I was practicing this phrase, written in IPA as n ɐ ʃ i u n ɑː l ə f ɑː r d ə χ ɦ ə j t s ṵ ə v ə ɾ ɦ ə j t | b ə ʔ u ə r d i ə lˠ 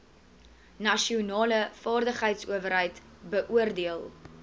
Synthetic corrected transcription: n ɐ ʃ i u n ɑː l ə f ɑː r d ə χ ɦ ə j t s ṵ ə v ə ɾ ɦ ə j t | b ə ʔ u ə r d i ə lˠ